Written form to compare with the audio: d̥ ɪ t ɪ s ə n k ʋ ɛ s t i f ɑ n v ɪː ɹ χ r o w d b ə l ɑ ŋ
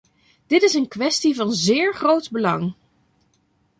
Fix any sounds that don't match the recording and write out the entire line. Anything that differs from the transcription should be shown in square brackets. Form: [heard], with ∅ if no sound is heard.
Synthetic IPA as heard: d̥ ɪ t ɪ s ə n k ʋ ɛ s t i [v] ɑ n [z] ɪː ɹ χ r o w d b ə l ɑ ŋ